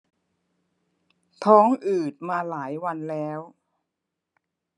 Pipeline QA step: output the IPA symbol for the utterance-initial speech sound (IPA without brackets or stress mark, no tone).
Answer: t̪ʰ